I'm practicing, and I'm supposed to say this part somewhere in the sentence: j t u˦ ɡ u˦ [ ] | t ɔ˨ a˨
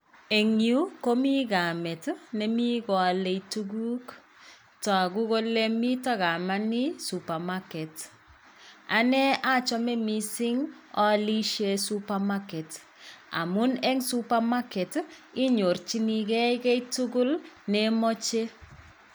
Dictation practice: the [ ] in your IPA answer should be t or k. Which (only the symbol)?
k